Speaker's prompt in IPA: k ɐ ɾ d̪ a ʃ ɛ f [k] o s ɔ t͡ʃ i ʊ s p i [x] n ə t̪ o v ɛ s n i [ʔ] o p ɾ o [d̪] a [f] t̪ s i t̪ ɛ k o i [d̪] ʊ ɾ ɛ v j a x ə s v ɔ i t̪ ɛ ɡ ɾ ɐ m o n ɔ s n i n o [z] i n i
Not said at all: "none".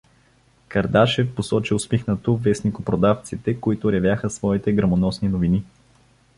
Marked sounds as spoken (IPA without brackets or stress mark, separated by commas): p, x, k, d̪, f, t̪, v